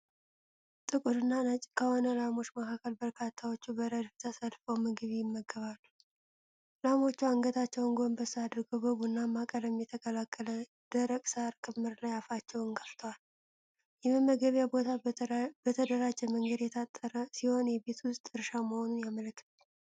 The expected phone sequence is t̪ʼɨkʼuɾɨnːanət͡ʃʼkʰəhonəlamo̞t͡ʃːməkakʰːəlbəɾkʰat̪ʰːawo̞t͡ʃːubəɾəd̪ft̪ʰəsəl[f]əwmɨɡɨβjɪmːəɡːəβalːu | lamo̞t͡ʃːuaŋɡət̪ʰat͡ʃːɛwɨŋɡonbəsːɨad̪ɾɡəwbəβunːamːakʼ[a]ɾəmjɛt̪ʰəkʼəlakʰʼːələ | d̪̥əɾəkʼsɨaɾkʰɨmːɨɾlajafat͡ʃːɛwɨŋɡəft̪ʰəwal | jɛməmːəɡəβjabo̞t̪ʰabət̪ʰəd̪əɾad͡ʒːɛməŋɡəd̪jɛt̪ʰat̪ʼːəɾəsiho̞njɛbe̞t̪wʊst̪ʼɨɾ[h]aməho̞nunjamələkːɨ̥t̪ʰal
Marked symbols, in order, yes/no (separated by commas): yes, no, no